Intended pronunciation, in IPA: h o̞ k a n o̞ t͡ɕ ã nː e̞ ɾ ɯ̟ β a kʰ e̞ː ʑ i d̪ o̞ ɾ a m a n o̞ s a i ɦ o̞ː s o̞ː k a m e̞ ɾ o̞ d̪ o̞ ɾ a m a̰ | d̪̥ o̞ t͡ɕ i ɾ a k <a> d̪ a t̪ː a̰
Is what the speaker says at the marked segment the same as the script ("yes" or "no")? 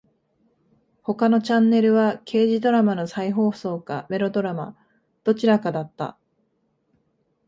yes